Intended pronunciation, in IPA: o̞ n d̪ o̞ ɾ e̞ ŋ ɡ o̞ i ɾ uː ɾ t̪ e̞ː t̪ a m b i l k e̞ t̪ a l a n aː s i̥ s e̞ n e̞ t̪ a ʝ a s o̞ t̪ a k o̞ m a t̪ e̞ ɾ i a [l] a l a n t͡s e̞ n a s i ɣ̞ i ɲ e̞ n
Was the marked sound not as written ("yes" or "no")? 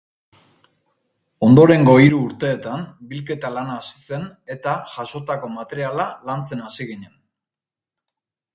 no